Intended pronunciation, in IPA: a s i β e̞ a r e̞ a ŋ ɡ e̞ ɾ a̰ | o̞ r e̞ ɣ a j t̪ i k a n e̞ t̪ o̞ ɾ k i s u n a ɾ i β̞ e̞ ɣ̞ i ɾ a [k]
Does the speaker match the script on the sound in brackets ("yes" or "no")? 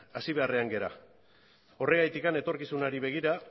no